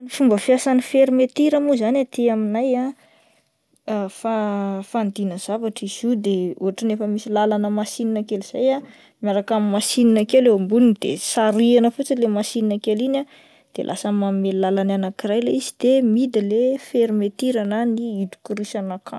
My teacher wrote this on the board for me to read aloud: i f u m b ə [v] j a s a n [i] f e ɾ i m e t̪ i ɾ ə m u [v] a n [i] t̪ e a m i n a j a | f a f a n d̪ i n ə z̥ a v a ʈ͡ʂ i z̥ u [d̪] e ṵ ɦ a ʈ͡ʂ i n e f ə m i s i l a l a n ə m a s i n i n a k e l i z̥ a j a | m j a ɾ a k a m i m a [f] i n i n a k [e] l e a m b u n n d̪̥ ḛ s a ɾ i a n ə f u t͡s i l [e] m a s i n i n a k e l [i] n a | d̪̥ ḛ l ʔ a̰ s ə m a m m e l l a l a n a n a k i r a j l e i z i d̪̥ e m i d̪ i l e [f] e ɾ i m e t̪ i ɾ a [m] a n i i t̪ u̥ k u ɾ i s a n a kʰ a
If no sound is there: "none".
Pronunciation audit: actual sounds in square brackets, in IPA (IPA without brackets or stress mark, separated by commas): f, i, z, a, d̪, s, e, e, i, f, n